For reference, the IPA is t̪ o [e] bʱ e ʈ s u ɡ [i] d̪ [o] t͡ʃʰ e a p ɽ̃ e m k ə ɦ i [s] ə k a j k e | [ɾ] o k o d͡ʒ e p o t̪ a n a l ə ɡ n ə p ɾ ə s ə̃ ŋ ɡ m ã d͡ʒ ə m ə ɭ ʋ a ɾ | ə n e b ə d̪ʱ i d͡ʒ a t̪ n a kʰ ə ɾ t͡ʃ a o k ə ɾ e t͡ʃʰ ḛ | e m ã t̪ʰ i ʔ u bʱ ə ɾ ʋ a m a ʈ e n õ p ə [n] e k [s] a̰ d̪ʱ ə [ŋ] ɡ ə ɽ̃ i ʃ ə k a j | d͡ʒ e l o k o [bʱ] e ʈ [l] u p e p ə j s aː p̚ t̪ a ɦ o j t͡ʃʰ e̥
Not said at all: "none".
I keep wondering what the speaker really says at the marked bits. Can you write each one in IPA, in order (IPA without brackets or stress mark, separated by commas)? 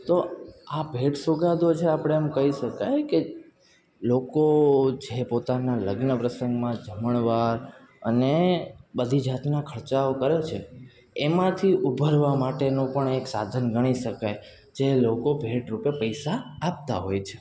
a, a, o, ʃ, l, ɳ, s, n, bʱ, ɾ